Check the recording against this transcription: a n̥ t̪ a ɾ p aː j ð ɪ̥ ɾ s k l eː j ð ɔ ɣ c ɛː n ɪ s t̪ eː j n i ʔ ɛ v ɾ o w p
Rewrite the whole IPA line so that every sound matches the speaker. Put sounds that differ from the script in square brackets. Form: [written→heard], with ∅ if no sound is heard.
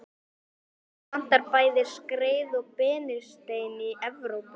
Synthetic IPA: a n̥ t̪ a ɾ p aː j ð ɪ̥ [ɾ→∅] s k [l→ɾ] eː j ð ɔ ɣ [c→p] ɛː n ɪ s t̪ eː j n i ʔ ɛ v ɾ o w p